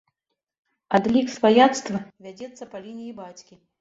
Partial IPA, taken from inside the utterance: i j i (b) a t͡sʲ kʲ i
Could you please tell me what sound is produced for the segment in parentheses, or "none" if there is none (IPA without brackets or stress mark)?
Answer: b